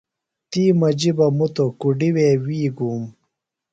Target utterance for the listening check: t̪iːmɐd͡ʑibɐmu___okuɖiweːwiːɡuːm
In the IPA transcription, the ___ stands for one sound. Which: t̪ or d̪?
t̪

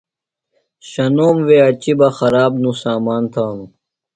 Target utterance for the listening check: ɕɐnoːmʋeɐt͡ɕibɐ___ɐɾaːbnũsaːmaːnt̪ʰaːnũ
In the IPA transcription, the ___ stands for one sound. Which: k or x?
x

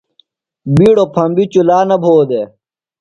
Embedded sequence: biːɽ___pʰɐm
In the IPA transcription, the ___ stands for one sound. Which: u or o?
o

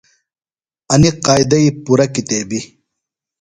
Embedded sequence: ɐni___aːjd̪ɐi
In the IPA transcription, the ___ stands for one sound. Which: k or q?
q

